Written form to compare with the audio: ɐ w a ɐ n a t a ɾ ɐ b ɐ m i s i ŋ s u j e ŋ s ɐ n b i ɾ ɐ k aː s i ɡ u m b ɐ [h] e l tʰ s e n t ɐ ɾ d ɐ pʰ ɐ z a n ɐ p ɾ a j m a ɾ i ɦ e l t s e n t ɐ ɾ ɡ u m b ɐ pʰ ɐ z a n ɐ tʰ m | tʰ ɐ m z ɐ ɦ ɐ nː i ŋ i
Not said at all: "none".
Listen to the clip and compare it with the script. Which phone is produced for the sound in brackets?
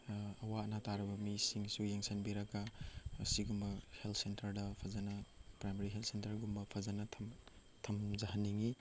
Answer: h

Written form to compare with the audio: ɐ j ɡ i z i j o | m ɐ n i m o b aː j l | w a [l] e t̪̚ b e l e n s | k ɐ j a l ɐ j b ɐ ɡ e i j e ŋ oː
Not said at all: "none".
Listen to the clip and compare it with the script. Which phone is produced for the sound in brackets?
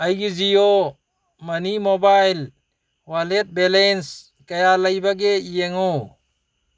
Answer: l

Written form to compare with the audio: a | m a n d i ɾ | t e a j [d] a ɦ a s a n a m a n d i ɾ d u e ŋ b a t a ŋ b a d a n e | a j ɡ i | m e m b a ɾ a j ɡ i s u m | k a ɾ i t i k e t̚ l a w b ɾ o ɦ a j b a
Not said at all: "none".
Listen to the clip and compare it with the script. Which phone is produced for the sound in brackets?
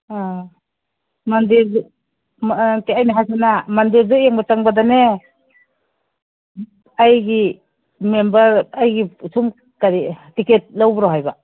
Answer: n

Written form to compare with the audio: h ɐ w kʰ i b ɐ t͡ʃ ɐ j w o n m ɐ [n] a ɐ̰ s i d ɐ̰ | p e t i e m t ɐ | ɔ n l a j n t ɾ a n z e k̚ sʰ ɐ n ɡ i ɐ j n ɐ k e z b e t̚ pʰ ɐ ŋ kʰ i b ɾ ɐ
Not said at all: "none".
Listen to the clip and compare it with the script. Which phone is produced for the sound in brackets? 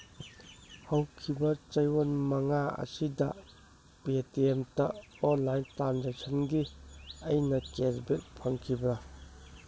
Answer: ŋ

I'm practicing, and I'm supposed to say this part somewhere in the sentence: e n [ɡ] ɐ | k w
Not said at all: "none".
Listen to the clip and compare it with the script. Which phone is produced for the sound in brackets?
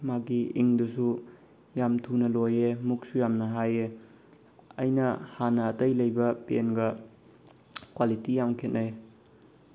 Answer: ɡ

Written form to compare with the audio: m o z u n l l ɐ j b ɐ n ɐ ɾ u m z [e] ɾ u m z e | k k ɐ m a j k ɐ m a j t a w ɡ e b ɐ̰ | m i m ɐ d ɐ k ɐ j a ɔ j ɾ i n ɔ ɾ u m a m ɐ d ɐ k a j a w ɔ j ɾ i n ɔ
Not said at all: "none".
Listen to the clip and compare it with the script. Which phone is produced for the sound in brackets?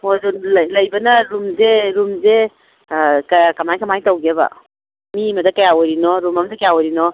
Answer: e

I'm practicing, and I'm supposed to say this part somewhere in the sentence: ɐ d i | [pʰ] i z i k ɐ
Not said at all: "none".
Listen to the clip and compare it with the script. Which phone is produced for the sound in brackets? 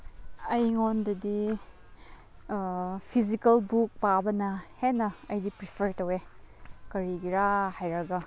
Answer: pʰ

